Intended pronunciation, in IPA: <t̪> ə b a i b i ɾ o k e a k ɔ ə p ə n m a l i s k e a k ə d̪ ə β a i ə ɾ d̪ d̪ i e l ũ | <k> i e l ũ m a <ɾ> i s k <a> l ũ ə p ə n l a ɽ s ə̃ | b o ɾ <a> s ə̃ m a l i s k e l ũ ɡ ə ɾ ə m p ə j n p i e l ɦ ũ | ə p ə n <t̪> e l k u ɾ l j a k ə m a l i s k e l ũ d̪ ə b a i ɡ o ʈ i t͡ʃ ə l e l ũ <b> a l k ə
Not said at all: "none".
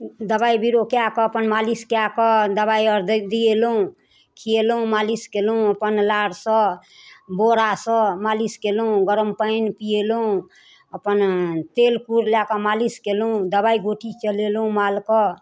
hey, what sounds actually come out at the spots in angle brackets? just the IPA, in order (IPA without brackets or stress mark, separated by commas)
d̪, kʰ, l, e, a, t̪, m